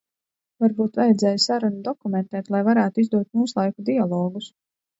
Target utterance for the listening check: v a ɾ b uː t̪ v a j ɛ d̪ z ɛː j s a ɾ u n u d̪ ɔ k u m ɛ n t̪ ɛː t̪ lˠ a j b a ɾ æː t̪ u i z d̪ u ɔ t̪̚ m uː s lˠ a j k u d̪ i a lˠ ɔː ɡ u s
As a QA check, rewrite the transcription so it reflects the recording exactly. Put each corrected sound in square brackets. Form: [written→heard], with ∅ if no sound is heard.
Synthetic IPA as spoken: v a ɾ b uː t̪ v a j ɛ d̪ z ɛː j s a ɾ u n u d̪ ɔ k u m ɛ n t̪ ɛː t̪ lˠ a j [b→v] a ɾ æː t̪ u i z d̪ u ɔ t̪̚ m uː s lˠ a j k u d̪ i a lˠ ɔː ɡ u s